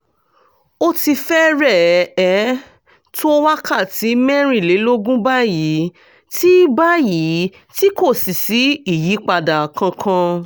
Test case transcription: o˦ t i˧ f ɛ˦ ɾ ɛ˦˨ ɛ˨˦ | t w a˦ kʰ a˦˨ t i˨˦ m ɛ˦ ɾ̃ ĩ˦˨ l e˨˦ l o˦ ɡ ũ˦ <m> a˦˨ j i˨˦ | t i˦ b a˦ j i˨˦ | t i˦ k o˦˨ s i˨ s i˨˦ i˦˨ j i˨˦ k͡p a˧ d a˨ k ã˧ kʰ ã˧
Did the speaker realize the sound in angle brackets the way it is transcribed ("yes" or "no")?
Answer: no